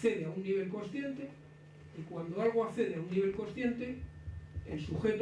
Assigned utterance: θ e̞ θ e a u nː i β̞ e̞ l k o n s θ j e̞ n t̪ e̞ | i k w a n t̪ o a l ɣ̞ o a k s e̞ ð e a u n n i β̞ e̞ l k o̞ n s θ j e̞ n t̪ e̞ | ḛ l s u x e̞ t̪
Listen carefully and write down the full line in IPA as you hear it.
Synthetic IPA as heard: θ e̞ ð e a u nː i β̞ e̞ l k o n s θ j e̞ n t̪ e̞ | i k w a n d̪ o a l ɣ̞ o a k θ e̞ ð e a u n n i β̞ e̞ l k o̞ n s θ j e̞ n t̪ e̞ | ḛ l s u x e̞ t̪